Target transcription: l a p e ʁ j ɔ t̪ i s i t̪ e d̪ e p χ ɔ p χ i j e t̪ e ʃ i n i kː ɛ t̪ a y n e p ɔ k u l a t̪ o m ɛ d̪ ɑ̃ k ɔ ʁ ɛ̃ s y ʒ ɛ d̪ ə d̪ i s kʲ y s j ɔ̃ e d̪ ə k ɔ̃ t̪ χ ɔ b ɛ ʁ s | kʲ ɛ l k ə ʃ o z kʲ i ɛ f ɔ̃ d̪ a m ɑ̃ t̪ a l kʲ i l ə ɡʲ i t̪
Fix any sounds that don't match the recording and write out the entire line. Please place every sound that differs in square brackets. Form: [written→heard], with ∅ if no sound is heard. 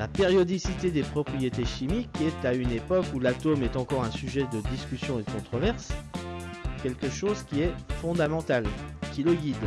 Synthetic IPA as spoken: l a p e ʁ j ɔ [t̪→d̪] i s i t̪ e d̪ e p χ ɔ p χ i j e t̪ e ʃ i [n→m] i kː ɛ t̪ a y n e p ɔ k u l a t̪ o m ɛ [d̪→t̪] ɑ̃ k ɔ ʁ ɛ̃ s y ʒ ɛ d̪ ə d̪ i s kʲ y s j ɔ̃ e d̪ ə k ɔ̃ t̪ χ ɔ [b→v] ɛ ʁ s | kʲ ɛ l k ə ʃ o z kʲ i ɛ f ɔ̃ d̪ a m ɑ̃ t̪ a l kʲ i l ə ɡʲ i [t̪→d̪]